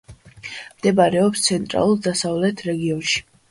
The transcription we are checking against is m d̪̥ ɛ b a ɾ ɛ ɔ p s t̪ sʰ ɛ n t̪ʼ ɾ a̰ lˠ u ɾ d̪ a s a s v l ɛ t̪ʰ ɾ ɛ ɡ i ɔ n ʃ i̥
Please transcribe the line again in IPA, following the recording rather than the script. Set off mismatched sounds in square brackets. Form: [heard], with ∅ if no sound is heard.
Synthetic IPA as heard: m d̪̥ ɛ b a ɾ ɛ ɔ p s t̪ sʰ ɛ n t̪ʼ ɾ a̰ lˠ u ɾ d̪ a s a [∅] v l ɛ t̪ʰ ɾ ɛ ɡ i ɔ n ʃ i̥